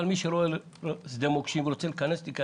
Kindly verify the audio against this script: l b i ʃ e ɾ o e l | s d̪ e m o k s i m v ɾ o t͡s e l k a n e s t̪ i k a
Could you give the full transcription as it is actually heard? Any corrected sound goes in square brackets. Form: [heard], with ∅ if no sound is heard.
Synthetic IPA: l [m] i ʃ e ɾ o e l | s d̪ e m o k [ʃ] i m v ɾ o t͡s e l k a n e s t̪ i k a